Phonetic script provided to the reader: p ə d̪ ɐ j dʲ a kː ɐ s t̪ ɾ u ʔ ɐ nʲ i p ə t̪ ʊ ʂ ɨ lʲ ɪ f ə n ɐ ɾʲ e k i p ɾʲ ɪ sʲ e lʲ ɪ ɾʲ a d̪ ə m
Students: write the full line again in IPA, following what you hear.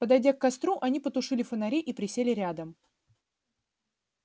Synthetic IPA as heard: p ə d̪ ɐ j dʲ a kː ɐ s t̪ ɾ u ʔ ɐ nʲ i p ə t̪ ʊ ʂ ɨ lʲ ɪ f ə n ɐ ɾʲ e ʔ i p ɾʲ ɪ sʲ e lʲ ɪ ɾʲ a d̪ ə m